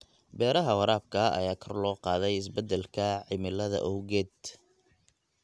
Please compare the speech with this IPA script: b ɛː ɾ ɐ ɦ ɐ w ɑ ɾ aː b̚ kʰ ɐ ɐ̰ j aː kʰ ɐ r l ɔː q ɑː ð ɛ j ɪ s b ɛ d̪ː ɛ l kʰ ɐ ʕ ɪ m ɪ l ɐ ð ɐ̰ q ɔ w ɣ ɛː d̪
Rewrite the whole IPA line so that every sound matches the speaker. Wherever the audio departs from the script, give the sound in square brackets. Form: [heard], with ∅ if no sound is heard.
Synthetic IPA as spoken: b ɛː ɾ ɐ ɦ ɐ w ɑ ɾ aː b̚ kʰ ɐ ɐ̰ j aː kʰ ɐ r l ɔː q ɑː ð ɛ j ɪ s b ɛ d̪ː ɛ l kʰ ɐ ʕ ɪ m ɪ l ɐ ð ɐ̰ [ʔ] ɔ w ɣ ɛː d̪

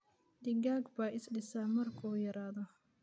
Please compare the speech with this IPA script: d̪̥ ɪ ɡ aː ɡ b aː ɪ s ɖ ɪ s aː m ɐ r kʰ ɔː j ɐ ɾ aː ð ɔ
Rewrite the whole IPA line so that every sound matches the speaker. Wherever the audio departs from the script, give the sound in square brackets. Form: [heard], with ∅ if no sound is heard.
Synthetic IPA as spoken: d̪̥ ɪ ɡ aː ɡ b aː ɪ s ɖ ɪ s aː m ɐ r kʰ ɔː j ɐ ɾ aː ð ɔ

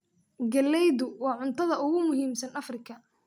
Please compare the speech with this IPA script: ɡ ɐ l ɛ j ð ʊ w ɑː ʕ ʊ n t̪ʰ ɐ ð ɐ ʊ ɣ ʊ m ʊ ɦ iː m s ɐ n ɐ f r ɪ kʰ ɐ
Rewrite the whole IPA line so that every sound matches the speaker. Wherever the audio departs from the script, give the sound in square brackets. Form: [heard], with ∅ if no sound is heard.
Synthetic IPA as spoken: ɡ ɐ l ɛ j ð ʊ w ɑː ʕ ʊ n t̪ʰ ɐ ð ɐ ʊ ɣ ʊ m ʊ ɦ iː m s ɐ n ɐ f r ɪ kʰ ɐ

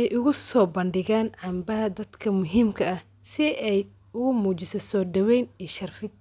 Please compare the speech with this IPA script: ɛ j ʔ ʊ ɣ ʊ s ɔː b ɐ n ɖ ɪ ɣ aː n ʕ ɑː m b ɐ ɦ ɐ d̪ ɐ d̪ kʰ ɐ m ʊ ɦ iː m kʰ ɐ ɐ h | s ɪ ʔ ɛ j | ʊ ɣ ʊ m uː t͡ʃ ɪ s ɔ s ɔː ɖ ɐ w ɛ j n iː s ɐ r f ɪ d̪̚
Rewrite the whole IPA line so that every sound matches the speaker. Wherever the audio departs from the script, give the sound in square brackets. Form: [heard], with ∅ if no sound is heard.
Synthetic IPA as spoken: ɛ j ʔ ʊ ɣ ʊ s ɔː b ɐ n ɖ ɪ ɣ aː n ʕ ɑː m b ɐ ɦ ɐ d̪ ɐ d̪ kʰ ɐ m ʊ ɦ iː m kʰ ɐ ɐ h | s ɪ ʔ ɛ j | ʊ ɣ ʊ m uː t͡ʃ ɪ s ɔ s ɔː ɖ ɐ w ɛ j n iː [ʃ] ɐ r f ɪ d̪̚

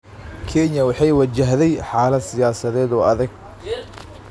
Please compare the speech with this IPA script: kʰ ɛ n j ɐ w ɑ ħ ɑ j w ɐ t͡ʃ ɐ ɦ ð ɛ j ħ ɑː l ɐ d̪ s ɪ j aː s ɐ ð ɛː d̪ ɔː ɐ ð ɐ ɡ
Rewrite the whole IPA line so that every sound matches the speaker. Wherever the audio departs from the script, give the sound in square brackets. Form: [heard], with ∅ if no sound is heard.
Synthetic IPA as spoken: kʰ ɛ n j ɐ w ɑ ħ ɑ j w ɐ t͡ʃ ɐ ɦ ð ɛ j ħ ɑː l ɐ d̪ s ɪ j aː s ɐ ð ɛː d̪ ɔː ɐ ð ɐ ɡ

